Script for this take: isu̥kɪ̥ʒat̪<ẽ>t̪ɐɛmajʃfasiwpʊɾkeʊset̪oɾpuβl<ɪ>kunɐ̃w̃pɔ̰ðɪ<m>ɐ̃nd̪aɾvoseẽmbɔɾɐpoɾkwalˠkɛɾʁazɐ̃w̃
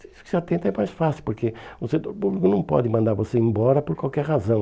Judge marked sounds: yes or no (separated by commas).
yes, no, yes